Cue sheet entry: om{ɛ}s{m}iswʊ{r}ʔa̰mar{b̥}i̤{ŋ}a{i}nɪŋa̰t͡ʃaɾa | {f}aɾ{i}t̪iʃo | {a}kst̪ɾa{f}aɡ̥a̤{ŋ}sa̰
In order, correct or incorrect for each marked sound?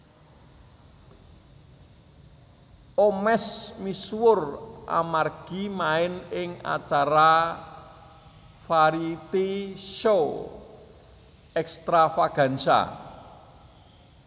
correct, correct, correct, incorrect, incorrect, incorrect, correct, correct, incorrect, correct, incorrect

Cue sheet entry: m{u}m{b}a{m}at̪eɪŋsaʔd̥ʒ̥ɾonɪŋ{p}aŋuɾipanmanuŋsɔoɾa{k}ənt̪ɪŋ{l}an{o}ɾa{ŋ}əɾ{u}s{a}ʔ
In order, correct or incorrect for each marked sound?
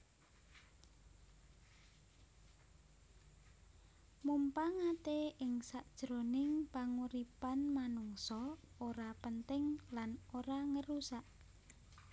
correct, incorrect, incorrect, correct, incorrect, correct, correct, correct, correct, correct

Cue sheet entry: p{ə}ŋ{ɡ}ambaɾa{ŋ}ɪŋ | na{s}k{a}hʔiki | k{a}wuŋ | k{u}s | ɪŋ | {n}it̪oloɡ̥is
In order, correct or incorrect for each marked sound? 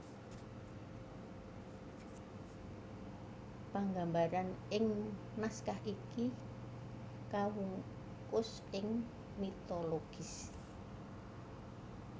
incorrect, correct, incorrect, correct, correct, correct, incorrect, incorrect

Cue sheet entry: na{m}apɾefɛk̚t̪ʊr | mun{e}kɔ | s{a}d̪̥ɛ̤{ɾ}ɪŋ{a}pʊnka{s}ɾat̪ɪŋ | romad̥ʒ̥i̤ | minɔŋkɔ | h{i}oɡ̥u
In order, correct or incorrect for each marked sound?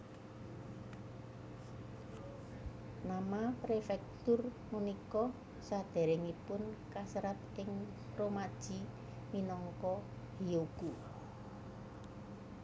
correct, incorrect, correct, correct, incorrect, correct, correct

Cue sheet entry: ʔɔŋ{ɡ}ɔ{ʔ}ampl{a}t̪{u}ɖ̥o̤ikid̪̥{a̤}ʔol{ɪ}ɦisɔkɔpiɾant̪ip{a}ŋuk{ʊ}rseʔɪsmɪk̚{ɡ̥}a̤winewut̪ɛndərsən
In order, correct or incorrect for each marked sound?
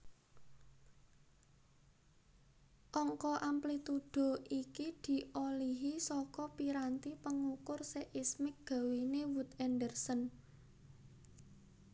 incorrect, correct, incorrect, correct, incorrect, incorrect, incorrect, correct, correct

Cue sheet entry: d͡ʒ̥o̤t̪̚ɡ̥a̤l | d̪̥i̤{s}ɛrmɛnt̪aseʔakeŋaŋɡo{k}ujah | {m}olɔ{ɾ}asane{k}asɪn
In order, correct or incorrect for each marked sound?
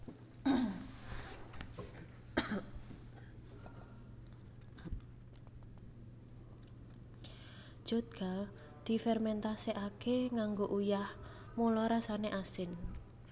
incorrect, incorrect, correct, correct, incorrect

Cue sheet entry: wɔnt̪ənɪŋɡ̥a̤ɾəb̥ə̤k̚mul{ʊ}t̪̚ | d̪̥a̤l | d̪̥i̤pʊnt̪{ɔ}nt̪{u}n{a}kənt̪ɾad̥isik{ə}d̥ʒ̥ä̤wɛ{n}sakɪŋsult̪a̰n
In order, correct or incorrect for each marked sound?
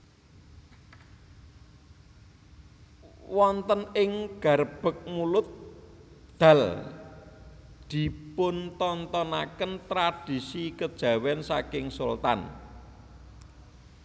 correct, correct, incorrect, correct, correct, correct

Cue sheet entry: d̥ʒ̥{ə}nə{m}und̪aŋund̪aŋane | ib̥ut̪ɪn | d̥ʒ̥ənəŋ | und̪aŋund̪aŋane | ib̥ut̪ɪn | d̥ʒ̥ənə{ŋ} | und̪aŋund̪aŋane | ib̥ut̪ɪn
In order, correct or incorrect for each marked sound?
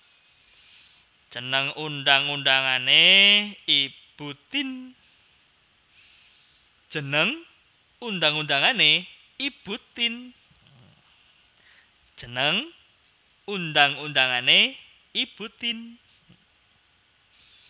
correct, incorrect, correct

